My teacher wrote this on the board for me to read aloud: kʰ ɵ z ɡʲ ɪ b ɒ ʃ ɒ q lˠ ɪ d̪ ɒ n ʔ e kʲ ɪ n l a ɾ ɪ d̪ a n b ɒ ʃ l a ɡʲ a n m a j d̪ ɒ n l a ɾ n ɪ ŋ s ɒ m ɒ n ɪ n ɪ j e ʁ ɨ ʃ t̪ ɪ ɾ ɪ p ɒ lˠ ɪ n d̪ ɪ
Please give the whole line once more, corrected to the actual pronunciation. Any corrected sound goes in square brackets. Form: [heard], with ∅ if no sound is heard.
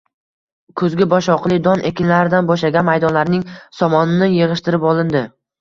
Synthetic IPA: kʰ ɵ z ɡʲ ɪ b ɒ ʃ ɒ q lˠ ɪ d̪ ɒ n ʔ e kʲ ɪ n l a ɾ ɪ d̪ a n b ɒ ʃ l a ɡʲ a n m a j d̪ ɒ n l a ɾ n ɪ ŋ s ɒ m ɒ n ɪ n ɪ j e ʁ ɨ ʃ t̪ ɪ ɾ ɪ p ɒ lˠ ɪ n d̪ ɪ